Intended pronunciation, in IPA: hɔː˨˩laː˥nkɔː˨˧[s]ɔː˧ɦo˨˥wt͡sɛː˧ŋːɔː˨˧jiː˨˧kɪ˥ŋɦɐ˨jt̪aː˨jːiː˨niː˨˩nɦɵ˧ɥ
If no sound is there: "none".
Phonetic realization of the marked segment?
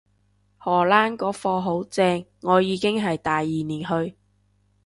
f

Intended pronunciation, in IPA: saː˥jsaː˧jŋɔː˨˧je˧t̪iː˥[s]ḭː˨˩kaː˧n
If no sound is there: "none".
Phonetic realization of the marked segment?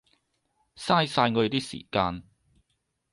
s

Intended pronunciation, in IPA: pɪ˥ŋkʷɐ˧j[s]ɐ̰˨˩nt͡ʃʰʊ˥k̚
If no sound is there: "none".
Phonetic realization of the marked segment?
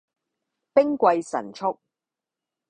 s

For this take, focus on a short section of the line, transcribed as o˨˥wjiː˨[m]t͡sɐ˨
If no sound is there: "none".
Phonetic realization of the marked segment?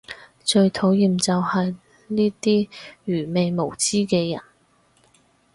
m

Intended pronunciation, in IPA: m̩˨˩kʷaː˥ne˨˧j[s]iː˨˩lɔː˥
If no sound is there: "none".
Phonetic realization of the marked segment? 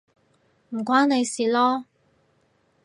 s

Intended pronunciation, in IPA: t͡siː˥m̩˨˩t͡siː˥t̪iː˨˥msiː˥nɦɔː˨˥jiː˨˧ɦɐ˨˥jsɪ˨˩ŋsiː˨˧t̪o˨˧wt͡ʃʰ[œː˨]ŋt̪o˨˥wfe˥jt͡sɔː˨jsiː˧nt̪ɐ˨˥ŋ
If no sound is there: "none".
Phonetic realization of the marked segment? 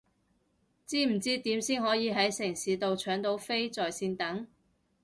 œː˨˥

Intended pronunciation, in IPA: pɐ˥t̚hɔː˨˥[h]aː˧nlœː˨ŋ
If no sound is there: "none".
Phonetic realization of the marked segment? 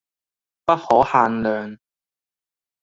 h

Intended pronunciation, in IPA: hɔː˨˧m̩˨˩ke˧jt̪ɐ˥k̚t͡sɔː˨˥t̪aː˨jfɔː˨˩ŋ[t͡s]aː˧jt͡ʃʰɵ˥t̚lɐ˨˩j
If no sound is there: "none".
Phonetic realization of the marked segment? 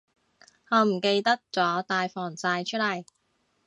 t͡s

